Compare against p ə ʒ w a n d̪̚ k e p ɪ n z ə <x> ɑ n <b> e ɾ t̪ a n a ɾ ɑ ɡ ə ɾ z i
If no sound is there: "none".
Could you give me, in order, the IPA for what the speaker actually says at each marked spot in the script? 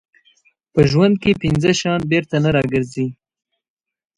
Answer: ʃ, b

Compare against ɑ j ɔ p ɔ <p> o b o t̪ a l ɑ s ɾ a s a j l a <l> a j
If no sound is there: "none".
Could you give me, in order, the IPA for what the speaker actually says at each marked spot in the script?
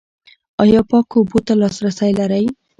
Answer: k, ɾ

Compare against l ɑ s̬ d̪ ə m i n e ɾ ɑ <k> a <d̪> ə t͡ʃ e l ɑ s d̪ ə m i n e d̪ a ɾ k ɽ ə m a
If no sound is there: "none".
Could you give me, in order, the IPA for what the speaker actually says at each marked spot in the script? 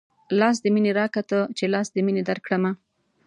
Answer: k, t̪

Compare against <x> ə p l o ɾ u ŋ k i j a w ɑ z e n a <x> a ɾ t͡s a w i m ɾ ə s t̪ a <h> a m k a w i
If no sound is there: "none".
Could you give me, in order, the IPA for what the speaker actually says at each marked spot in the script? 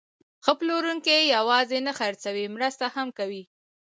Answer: x, x, h

